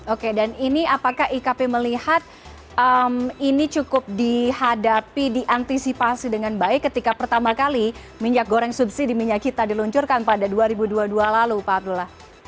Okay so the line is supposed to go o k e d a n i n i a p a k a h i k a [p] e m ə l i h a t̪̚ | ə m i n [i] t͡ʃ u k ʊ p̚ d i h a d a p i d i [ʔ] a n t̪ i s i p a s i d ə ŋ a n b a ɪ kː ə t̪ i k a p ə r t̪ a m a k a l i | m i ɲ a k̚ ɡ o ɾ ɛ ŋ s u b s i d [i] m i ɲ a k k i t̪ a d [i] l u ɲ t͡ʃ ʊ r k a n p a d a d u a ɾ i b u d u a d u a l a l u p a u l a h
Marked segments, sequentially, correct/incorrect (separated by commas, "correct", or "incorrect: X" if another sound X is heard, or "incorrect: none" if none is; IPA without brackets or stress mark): correct, correct, correct, correct, correct